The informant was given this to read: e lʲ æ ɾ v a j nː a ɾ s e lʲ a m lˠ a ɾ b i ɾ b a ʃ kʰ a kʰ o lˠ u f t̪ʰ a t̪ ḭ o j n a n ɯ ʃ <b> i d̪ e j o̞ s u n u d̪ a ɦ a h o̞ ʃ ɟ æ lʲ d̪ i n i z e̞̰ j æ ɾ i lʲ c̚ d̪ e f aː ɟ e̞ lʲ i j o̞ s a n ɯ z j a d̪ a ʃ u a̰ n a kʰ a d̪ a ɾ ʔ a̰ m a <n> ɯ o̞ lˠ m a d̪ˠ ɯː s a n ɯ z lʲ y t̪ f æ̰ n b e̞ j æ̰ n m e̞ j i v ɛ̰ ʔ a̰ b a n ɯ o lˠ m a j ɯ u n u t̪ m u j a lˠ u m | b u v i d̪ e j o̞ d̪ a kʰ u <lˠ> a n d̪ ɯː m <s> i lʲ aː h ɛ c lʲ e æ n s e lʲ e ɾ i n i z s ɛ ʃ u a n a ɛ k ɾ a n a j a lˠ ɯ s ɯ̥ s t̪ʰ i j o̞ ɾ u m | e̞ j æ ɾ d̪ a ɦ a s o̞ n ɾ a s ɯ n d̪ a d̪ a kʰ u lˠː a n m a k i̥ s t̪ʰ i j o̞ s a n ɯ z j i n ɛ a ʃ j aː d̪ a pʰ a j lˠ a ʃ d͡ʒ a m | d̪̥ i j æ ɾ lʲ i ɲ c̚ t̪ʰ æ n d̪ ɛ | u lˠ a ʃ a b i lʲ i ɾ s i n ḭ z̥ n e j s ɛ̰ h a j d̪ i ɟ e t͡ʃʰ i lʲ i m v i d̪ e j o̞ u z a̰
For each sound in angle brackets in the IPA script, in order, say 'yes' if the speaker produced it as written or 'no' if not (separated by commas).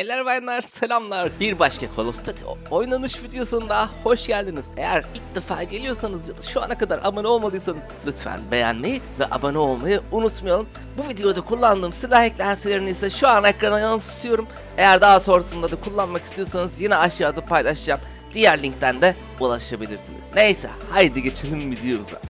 no, yes, no, yes